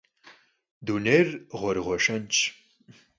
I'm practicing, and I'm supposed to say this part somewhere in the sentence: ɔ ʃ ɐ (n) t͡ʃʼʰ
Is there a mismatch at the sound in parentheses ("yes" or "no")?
no